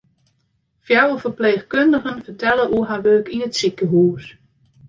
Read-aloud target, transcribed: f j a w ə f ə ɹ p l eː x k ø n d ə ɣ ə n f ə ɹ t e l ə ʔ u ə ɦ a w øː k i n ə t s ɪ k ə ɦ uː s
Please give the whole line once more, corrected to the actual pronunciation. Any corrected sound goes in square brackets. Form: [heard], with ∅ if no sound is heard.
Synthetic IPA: f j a w ə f ə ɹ p l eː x k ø n d ə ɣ ə n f ə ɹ t [ɛ] l ə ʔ u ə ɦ a [ʋ] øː k i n ə t s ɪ k ə ɦ uː s